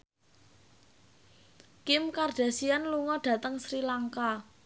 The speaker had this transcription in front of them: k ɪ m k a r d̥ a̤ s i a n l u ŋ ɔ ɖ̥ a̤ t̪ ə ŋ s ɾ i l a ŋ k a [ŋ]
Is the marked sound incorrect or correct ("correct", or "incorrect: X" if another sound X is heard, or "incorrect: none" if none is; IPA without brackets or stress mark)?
incorrect: none